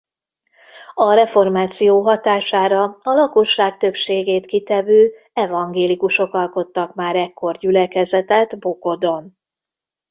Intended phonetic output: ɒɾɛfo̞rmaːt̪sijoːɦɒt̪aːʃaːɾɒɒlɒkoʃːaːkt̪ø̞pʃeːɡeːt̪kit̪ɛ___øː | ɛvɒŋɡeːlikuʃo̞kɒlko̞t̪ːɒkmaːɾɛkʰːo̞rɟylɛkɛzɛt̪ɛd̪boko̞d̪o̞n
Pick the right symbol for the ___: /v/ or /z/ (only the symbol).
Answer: v